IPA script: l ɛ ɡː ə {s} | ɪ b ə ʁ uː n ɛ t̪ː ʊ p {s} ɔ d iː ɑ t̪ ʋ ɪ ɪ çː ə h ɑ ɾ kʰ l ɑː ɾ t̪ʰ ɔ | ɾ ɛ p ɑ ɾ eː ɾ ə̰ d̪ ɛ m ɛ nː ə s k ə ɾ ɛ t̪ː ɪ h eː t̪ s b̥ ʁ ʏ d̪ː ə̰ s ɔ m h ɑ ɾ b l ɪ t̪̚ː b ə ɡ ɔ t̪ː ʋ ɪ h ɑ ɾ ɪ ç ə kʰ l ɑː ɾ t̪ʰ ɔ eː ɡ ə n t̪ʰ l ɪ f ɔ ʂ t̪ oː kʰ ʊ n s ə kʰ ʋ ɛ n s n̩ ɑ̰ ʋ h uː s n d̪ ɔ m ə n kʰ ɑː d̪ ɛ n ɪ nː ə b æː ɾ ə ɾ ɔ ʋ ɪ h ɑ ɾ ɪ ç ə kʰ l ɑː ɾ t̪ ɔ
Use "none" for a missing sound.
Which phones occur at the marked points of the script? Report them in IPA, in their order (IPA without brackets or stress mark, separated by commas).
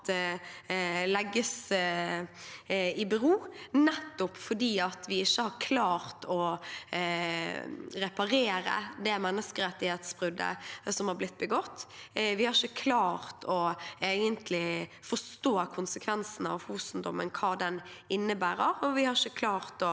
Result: s, f